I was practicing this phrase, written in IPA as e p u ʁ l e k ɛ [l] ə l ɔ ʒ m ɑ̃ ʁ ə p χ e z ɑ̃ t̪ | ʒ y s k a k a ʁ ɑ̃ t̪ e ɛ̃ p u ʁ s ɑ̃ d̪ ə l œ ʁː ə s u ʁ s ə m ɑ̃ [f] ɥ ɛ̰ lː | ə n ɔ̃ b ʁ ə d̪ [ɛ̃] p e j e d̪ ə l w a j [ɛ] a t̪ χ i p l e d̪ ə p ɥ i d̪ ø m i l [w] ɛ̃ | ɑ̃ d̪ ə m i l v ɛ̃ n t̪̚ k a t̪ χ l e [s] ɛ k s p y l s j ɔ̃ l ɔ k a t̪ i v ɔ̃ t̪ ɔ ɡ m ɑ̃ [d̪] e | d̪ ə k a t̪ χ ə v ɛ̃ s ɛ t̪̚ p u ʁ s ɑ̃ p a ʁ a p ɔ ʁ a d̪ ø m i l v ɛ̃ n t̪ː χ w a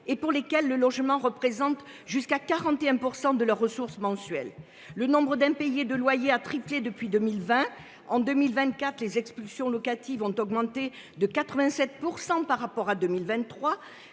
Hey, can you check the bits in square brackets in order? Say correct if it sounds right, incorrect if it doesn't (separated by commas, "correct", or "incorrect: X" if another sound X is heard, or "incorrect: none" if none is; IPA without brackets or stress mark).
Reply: incorrect: lː, incorrect: s, correct, incorrect: e, incorrect: v, incorrect: z, incorrect: t̪